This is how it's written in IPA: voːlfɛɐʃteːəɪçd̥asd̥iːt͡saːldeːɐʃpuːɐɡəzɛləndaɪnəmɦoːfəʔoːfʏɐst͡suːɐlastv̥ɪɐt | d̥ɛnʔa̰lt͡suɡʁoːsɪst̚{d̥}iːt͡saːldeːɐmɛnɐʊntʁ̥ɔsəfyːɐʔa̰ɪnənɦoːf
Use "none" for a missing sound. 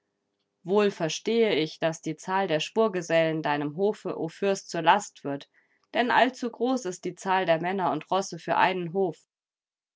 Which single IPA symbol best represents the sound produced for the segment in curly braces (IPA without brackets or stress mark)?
d̥